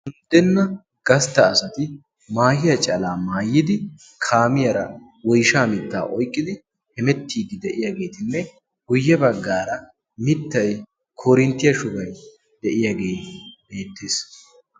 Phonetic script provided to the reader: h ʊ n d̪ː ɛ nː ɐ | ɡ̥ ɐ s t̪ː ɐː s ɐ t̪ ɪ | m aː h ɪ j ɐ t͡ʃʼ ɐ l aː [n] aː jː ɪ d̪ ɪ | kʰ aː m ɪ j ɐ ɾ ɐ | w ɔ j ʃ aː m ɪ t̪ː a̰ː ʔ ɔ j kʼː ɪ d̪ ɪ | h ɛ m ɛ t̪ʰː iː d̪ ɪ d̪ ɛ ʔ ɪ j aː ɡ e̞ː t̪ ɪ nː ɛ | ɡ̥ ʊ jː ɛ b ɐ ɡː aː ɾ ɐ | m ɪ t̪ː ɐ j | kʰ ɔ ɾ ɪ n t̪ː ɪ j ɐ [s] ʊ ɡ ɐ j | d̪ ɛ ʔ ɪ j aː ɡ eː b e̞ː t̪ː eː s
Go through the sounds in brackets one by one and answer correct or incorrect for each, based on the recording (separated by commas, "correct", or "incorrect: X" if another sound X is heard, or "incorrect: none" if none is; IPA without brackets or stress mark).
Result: incorrect: m, incorrect: ʃ